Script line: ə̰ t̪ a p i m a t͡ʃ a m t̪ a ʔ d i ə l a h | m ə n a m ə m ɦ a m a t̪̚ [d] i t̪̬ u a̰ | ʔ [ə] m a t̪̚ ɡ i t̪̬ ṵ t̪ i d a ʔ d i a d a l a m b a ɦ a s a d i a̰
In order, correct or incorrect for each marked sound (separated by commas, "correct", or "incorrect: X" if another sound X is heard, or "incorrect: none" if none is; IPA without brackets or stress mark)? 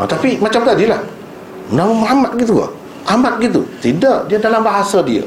incorrect: ɡ, incorrect: a